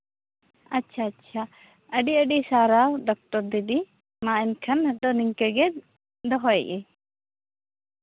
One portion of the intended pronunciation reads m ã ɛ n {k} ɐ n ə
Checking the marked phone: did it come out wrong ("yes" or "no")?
yes